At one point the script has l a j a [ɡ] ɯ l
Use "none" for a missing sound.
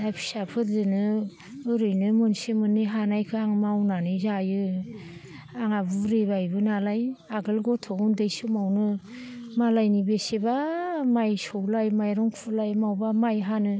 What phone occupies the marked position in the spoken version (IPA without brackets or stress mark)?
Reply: ɡ